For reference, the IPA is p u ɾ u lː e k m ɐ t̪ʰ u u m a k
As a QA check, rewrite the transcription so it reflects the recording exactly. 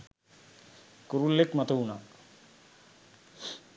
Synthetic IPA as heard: k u ɾ u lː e k m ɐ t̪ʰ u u n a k